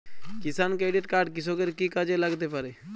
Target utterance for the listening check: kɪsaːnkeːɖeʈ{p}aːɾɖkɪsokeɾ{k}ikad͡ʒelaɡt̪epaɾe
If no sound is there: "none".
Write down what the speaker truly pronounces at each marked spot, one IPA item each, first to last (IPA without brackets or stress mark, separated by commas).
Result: k, k